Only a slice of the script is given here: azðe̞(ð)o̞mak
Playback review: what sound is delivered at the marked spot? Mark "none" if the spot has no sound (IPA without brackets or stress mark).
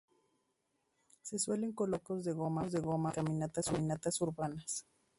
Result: ɣ